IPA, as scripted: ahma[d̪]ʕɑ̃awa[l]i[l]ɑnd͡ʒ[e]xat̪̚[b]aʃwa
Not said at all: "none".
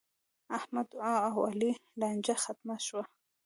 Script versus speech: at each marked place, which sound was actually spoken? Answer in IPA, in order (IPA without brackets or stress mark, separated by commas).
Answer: d̪, l, l, a, m